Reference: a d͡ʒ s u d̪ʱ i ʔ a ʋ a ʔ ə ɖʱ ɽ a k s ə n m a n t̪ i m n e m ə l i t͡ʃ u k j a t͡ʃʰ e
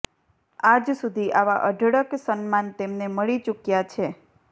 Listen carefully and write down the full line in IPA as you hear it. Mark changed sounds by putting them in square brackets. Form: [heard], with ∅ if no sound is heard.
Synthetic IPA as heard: a d͡ʒ s u d̪ʱ i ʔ a ʋ a ʔ ə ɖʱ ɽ [ə] k s ə n m a n t̪ [e] m n e m ə [ɭ] i t͡ʃ u k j a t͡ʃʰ e